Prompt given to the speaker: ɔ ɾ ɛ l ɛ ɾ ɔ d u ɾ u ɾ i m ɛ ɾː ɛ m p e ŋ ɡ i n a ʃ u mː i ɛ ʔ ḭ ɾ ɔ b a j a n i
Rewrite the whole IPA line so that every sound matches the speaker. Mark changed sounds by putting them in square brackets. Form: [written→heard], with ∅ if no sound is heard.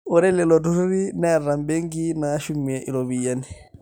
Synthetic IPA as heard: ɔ ɾ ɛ l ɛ [ɾ→l] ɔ d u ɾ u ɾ i [m→n] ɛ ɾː [ɛ→a] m [p→b] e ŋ ɡ i n a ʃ u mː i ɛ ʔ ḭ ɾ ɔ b [a→i] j a n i